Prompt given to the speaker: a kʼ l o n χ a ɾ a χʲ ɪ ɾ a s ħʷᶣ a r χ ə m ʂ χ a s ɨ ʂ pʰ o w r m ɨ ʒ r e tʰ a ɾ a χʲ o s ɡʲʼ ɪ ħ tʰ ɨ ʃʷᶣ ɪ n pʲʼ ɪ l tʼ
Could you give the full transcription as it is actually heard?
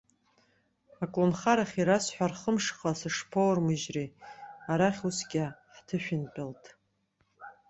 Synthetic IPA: a kʼ l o n χ a ɾ a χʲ i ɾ a s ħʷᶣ a r χ ə m ʂ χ a s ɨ ʂ pʰ o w r m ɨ ʒ r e a ɾ a χʲ u s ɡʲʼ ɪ ħ tʰ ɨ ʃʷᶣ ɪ n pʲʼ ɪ l tʼ